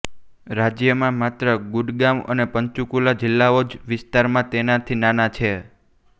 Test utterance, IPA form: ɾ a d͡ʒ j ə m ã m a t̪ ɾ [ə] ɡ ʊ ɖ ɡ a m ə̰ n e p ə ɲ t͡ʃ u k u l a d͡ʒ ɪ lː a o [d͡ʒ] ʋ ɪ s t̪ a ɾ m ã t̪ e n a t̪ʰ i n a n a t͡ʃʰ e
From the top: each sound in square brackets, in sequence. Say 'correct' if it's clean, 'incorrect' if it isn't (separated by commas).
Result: correct, correct